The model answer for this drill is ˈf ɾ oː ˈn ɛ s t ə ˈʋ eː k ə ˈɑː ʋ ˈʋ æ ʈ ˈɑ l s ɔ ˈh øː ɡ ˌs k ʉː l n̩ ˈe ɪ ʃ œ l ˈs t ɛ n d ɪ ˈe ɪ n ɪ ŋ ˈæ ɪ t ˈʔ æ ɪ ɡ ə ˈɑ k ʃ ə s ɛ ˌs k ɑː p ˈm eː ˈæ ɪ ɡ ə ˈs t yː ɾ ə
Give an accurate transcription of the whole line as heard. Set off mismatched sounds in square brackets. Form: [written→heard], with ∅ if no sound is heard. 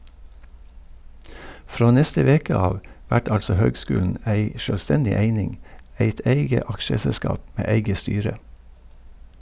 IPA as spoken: ˈf ɾ oː ˈn ɛ s t ə ˈʋ eː k ə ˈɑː ʋ ˈʋ æ ʈ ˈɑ l s ɔ ˈh øː ɡ ˌs k ʉː l n̩ [ˈe→ˈæ] ɪ ʃ œ l ˈs t ɛ n d ɪ ˈe ɪ n ɪ ŋ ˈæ ɪ t ˈʔ æ ɪ ɡ ə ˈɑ k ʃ ə s ɛ ˌs k ɑː p ˈm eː ˈæ ɪ ɡ ə ˈs t yː ɾ ə